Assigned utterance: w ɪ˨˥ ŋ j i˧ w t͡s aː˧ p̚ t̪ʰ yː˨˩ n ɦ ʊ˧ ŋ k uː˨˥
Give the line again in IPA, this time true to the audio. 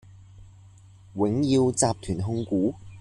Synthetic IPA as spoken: w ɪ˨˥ ŋ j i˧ w t͡s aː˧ p̚ t̪ʰ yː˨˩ n ɦ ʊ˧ ŋ k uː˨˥

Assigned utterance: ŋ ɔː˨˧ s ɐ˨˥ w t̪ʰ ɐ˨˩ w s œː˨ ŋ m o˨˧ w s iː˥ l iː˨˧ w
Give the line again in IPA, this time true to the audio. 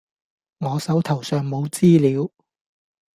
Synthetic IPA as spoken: ŋ ɔː˨˧ s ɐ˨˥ w t̪ʰ ɐ˨˩ w s œː˨ ŋ m o˨˧ w t͡s iː˥ l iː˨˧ w

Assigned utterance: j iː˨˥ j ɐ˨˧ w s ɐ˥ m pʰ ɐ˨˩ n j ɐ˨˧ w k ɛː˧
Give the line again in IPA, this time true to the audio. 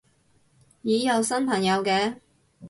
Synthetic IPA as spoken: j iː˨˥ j ɐ˨˧ w s ɐ˥ n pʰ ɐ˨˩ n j ɐ˨˧ w k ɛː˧

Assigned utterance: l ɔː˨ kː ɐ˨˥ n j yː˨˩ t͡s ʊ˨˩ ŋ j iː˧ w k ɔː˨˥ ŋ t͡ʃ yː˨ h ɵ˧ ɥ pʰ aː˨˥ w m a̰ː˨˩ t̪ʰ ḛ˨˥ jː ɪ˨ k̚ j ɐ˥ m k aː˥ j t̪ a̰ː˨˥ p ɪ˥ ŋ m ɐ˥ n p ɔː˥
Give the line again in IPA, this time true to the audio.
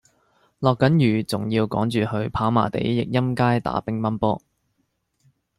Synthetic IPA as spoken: l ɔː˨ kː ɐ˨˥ n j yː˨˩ t͡s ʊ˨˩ ŋ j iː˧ w k ɔː˨˥ ŋ t͡ʃ yː˨ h ɵ˧ ɥ pʰ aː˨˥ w m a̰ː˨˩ t̪ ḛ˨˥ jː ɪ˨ k̚ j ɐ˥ m k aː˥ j t̪ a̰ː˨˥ p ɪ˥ ŋ m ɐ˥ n p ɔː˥

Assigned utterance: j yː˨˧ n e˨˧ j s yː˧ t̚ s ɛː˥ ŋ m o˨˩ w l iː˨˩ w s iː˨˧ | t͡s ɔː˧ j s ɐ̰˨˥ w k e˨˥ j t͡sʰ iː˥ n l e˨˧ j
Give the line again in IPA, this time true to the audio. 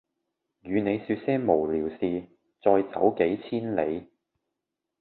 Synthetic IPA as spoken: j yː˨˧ n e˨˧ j s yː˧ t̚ s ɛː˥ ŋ m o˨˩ w l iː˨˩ w s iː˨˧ | t͡s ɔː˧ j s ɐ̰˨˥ w k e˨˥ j t͡sʰ iː˥ n l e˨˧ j

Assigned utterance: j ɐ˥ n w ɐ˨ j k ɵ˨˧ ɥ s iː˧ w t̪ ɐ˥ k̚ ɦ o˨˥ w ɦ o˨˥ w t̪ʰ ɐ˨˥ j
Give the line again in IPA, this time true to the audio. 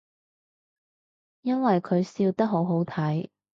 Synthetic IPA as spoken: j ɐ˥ n w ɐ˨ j kʰ ɵ˨˧ ɥ s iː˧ w t̪ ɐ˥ k̚ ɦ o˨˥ w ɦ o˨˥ w t̪ʰ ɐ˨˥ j

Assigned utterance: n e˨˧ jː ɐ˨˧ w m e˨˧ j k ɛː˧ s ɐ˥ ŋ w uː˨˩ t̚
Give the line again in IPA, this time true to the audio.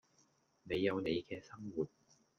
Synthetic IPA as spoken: n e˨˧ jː ɐ˨˧ w n e˨˧ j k ɛː˧ s ɐ˥ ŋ w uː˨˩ t̚

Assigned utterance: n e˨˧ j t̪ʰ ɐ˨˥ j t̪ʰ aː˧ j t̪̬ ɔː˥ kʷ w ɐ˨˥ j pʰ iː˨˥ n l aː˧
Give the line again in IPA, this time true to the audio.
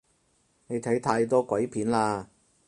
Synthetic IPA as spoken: n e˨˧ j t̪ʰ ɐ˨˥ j t̪ʰ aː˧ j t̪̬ ɔː˥ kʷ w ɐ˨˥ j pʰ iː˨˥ n l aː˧

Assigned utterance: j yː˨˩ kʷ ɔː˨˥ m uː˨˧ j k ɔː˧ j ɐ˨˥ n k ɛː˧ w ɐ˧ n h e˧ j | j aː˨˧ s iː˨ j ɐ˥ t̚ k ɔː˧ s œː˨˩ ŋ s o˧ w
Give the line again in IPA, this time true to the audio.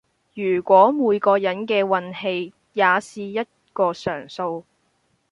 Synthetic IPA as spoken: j yː˨˩ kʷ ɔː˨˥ m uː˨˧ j k ɔː˧ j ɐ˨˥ n k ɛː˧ w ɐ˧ n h e˧ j | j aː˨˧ s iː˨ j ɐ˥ t̚ k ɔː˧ s œː˨˩ ŋ s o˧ w

